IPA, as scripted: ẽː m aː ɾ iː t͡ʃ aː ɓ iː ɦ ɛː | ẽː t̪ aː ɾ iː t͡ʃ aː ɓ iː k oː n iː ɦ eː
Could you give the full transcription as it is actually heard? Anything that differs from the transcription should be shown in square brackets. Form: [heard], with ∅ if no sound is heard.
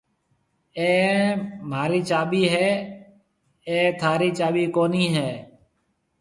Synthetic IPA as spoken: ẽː m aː ɾ iː t͡ʃ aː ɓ iː ɦ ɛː | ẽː [t̪ʰ] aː ɾ iː t͡ʃ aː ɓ iː k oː n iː ɦ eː